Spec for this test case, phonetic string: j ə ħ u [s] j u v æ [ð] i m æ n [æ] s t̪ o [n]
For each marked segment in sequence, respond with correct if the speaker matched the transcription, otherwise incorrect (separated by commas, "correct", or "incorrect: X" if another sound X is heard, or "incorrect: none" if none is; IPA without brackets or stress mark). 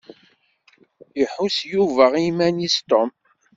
correct, incorrect: ʁ, incorrect: i, incorrect: m